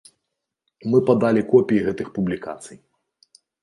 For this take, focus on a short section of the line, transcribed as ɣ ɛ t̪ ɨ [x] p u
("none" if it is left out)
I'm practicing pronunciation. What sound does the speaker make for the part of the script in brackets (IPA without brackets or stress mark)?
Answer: x